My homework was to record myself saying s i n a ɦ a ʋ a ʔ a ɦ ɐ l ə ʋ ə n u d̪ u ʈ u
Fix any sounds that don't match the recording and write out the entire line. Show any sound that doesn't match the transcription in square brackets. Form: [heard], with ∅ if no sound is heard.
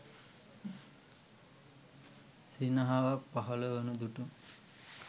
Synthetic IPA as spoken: s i n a ɦ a ʋ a [p] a ɦ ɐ l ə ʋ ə n u d̪ u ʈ u

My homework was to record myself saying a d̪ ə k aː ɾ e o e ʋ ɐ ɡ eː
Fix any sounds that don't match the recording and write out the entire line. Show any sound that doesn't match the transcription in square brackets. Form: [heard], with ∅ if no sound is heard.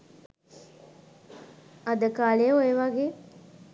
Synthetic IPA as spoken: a d̪ ə k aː [l] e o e ʋ [a] ɡ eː

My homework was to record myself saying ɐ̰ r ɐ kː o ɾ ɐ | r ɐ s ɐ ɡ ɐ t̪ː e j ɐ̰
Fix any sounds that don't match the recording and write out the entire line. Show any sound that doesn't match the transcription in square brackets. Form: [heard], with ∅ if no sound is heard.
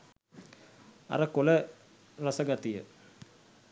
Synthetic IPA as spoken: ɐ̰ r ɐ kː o [l] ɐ | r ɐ s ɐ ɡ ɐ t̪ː [i] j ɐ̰

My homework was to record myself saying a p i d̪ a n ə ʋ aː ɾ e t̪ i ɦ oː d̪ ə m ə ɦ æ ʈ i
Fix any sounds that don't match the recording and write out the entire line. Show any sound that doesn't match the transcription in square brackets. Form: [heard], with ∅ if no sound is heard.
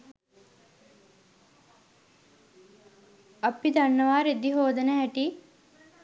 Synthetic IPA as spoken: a p i d̪ a [nː] ə ʋ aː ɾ e [d̪] i ɦ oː d̪ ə [n] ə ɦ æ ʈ i

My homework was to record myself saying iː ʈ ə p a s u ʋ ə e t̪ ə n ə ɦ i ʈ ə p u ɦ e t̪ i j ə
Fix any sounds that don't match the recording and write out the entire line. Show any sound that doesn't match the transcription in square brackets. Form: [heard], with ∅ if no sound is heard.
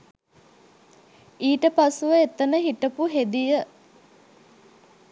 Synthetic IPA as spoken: iː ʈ ə p a s u ʋ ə e t̪ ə n ə ɦ i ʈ ə p u ɦ e [d̪] i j ə

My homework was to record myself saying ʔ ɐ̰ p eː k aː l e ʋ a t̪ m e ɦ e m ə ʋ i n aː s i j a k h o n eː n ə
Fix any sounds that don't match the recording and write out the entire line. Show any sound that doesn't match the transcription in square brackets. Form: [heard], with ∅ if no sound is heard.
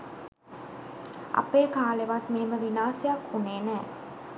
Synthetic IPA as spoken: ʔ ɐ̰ p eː k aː l e ʋ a t̪ m e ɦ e m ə ʋ i n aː s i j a k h [u] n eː n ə

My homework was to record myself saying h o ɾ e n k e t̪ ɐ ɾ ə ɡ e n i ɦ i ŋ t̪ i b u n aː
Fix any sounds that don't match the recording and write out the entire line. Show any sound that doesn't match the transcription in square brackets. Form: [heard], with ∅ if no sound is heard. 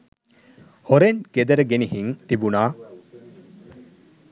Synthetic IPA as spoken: h o ɾ e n k e [d̪] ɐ ɾ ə ɡ e n i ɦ i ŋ t̪ i b u n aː

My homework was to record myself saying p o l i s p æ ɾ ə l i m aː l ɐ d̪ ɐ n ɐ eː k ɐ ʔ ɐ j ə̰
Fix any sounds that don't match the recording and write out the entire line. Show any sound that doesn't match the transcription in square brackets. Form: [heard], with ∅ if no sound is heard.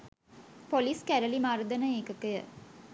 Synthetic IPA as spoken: p o l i s [k] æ ɾ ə l i m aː [ɾ] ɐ d̪ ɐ n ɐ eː k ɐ [k] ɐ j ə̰

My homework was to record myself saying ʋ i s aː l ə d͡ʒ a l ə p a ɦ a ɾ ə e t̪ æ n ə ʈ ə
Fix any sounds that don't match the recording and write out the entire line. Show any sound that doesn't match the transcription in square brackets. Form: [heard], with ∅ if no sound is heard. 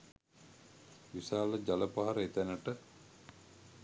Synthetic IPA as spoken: ʋ i s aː l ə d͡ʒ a l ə p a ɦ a ɾ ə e t̪ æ n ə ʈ ə

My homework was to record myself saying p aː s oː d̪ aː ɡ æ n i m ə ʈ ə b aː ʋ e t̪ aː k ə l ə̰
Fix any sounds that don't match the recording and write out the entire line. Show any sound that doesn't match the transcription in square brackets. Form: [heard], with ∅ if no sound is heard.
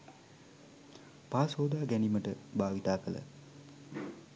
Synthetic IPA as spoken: p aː s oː d̪ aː ɡ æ n i m ə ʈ ə b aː ʋ [i] t̪ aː k ə l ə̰

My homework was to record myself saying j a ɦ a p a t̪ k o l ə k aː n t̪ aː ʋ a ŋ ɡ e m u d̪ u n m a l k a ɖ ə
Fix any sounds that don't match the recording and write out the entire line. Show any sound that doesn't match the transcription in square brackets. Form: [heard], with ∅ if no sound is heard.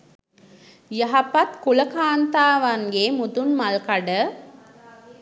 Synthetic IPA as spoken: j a ɦ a p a t̪ k [u] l ə k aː n t̪ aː ʋ a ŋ ɡ e m u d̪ u n m a l k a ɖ ə

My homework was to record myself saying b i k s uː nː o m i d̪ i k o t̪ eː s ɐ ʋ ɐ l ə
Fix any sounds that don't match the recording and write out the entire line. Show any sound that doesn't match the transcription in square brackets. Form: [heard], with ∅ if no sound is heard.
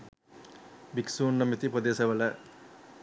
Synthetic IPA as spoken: b i k s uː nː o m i [t̪] i [p] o [d̪] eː s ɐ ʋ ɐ l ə

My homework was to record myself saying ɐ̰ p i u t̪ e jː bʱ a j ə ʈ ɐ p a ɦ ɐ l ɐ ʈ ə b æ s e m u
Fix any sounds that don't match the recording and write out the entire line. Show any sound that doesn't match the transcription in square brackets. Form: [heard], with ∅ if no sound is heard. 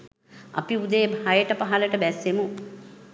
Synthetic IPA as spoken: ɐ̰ p i u [d̪] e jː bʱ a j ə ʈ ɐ p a ɦ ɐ l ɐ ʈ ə b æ s e m u

